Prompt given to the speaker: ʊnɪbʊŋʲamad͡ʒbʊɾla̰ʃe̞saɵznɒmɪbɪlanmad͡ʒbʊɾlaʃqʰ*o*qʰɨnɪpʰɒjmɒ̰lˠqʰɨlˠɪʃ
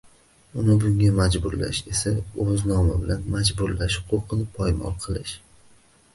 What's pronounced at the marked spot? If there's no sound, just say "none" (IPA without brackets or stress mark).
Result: o